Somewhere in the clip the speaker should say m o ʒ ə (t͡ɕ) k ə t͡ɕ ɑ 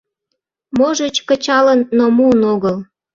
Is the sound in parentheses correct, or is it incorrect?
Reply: correct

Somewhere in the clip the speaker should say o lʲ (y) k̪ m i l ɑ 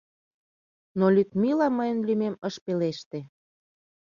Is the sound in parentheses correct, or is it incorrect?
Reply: correct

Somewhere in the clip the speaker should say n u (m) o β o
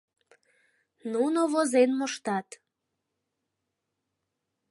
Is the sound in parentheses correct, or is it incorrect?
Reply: incorrect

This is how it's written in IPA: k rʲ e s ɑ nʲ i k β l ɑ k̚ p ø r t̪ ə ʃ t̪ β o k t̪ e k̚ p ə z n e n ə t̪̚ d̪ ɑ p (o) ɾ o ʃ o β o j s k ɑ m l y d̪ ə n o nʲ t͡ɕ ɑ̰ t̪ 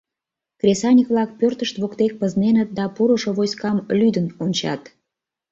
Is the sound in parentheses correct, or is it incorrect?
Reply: incorrect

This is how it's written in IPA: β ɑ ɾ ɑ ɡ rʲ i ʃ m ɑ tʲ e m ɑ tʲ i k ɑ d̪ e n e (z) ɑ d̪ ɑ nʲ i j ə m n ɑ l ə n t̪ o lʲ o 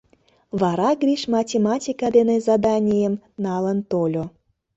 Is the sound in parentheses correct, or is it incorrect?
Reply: correct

